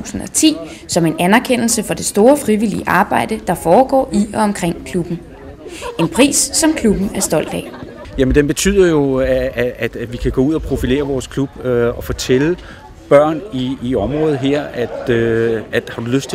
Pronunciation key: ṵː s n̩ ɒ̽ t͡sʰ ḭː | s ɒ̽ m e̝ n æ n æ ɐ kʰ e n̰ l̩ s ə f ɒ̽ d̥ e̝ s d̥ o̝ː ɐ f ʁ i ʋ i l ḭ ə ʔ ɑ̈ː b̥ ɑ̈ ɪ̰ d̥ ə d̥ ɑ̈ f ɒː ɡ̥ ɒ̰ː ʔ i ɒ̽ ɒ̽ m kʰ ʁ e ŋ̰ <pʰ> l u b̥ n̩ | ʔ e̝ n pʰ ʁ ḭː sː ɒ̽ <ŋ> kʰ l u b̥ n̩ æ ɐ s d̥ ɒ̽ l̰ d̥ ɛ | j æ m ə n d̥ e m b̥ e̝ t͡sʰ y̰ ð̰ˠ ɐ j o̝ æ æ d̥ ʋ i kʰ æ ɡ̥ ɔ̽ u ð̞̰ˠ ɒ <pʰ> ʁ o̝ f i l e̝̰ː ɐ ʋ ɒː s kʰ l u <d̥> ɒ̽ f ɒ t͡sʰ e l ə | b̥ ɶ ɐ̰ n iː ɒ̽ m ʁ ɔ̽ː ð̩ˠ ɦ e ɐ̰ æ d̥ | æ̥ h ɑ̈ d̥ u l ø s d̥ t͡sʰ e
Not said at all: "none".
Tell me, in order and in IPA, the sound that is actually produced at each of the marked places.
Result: kʰ, m, pʰ, b̥

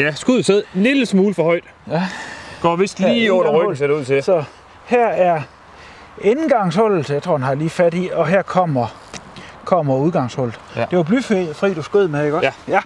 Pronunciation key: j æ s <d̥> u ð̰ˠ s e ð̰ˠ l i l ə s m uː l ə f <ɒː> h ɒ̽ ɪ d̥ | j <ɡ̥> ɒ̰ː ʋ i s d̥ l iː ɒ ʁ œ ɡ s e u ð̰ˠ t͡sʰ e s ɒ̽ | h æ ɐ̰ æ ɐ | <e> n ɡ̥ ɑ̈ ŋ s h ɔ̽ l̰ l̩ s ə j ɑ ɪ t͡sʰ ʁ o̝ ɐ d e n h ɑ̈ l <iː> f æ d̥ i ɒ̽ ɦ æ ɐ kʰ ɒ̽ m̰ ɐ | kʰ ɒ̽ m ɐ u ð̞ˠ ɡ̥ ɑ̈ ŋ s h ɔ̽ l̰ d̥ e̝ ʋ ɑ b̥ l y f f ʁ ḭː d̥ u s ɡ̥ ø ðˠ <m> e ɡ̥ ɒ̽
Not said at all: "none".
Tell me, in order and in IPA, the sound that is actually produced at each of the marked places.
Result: ɡ̥, ɒ, ɡ̥, e, iː, m

